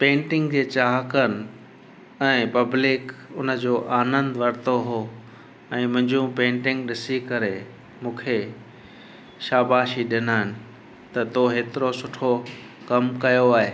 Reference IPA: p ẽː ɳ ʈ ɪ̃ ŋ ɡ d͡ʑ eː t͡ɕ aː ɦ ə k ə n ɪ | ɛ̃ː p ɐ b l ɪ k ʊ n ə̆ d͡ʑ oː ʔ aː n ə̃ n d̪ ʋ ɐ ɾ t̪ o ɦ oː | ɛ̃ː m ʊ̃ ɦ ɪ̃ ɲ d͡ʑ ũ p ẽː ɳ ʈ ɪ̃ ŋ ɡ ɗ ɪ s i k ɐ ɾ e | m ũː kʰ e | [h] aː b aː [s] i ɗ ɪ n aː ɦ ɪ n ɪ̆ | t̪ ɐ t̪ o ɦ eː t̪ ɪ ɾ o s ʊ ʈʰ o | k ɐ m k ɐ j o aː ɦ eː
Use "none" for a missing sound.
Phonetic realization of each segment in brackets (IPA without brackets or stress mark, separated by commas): ʃ, ʃ